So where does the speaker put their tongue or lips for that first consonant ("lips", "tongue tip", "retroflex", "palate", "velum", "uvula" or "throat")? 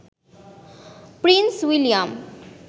lips